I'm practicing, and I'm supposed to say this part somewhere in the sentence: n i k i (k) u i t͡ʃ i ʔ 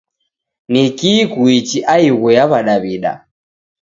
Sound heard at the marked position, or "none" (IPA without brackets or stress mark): k